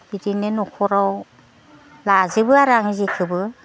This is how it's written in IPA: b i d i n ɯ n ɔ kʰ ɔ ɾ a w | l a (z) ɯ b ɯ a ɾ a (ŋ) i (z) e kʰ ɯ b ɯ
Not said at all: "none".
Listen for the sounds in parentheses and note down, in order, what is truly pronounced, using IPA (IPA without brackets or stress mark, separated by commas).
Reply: z, ŋ, z